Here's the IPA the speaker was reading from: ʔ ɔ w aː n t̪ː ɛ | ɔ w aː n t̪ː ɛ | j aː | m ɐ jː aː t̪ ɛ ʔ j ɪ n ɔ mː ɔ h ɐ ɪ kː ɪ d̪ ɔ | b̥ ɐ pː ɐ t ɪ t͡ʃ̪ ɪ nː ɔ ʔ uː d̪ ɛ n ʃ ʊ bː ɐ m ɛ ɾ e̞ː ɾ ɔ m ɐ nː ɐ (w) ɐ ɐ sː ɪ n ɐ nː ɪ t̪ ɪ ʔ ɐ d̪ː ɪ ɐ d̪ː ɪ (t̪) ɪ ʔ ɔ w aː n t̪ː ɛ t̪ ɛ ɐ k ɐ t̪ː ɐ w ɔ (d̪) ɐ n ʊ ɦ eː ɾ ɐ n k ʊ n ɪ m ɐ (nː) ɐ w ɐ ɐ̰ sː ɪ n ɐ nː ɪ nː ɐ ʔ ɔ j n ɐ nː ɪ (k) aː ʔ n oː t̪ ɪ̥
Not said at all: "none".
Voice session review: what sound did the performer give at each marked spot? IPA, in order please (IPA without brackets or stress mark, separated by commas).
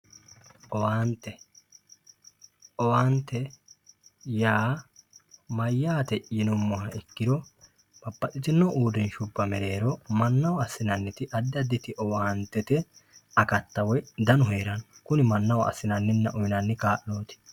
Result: w, t̪, d̪, nː, k